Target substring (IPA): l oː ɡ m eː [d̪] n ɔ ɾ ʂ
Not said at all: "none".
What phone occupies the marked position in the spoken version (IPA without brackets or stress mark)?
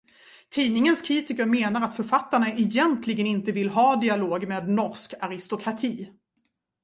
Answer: d̪